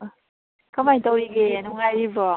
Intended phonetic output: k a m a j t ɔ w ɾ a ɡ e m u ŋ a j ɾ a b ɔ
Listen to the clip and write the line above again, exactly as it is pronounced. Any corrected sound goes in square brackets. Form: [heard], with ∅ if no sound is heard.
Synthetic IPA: k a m a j t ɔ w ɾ [i] ɡ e [n] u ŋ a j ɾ [i] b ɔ

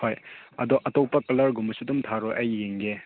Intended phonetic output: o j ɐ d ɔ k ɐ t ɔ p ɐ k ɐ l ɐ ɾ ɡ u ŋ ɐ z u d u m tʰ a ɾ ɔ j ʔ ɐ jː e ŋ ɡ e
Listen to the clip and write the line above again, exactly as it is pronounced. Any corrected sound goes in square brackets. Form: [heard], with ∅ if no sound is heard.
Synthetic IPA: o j ɐ d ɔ [ʔ] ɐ t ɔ p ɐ k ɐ l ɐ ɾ ɡ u [m] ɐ [s] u d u m tʰ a ɾ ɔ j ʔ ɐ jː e ŋ ɡ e

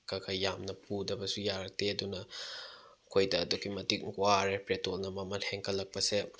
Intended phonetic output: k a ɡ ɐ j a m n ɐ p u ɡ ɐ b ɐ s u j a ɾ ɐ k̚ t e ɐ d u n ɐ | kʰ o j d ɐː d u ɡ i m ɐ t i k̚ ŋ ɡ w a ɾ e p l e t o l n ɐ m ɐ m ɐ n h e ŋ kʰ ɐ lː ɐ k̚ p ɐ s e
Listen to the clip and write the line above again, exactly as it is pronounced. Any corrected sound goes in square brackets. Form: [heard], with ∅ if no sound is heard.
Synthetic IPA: k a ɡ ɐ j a m n ɐ p u [d] ɐ b ɐ s u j a ɾ ɐ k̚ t e ɐ d u n ɐ | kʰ o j d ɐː d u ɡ i m ɐ t i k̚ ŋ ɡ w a ɾ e p [ɾ] e t o l n ɐ m ɐ m ɐ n h e ŋ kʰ ɐ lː ɐ k̚ p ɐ s e

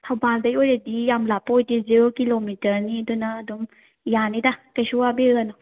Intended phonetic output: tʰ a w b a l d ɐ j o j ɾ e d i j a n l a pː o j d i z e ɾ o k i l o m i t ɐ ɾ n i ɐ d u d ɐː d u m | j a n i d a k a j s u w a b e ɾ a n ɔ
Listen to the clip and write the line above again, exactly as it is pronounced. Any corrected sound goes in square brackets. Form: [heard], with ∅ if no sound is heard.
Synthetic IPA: tʰ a w b a l d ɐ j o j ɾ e d i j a [m] l a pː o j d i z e ɾ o k i l o m i t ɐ ɾ n i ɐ d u [n] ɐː d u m | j a n i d a k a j s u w a b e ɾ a n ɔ

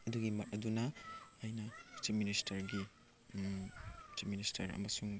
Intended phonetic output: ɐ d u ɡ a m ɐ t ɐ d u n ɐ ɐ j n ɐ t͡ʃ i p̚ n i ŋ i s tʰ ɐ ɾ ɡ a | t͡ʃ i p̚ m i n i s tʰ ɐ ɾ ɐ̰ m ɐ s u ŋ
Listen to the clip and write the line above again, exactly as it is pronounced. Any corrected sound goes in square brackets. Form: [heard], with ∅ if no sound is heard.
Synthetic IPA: ɐ d u ɡ [i] m ɐ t ɐ d u n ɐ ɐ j n ɐ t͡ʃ i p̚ [m] i [n] i s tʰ ɐ ɾ ɡ [i] | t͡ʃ i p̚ m i n i s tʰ ɐ ɾ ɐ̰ m ɐ s u ŋ

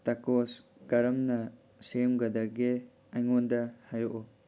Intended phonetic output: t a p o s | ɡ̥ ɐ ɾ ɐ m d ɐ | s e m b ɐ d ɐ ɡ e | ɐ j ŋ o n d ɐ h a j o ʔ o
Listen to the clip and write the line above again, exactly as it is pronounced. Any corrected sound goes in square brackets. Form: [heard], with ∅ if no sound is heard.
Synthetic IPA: t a [k] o s | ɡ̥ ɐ ɾ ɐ m [n] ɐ | s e m [ɡ] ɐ d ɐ ɡ e | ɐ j ŋ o n d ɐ h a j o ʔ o

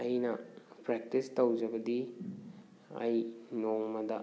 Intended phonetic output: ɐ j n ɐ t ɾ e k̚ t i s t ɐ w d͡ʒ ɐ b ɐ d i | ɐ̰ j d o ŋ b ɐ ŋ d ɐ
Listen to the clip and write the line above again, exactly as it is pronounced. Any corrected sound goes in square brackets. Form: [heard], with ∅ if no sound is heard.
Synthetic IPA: ɐ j n ɐ [p] ɾ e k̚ t i s t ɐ w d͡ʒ ɐ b ɐ d i | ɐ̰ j [n] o ŋ [m] ɐ [∅] d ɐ

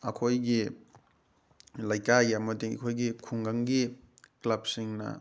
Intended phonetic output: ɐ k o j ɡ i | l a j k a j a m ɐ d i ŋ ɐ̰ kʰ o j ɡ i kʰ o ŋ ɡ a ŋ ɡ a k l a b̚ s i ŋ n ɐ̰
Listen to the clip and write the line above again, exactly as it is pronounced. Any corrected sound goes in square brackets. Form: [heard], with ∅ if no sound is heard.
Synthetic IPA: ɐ [kʰ] o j ɡ i | l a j k a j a m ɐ d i ŋ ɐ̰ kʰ o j ɡ i kʰ [u] ŋ ɡ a ŋ ɡ [i] k l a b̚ s i ŋ n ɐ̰

